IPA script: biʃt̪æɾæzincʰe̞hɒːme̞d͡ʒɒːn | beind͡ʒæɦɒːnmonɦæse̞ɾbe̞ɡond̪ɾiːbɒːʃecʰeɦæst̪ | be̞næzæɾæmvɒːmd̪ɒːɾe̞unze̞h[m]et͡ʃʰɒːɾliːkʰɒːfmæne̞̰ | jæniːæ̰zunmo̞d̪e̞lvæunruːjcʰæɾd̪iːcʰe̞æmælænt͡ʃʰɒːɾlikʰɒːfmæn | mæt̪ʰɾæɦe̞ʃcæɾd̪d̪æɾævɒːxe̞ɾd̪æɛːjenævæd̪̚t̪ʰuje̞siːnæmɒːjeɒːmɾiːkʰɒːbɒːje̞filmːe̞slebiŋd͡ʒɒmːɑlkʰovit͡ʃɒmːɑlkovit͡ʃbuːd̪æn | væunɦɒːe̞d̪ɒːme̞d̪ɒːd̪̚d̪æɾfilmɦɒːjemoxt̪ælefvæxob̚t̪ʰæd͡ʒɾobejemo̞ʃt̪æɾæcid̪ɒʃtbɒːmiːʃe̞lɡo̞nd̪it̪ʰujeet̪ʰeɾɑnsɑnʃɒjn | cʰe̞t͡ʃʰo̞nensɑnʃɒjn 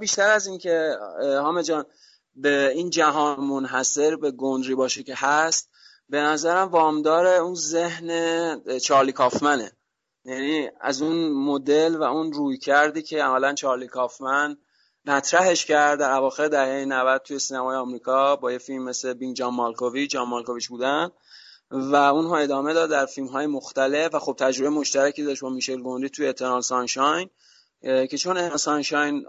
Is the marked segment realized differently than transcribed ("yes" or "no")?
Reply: yes